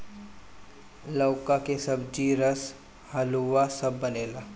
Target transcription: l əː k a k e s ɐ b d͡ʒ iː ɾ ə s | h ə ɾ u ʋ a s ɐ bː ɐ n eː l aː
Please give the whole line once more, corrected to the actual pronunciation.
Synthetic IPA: l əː k a k e s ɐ b d͡ʒ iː ɾ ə s | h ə l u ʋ a s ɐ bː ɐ n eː l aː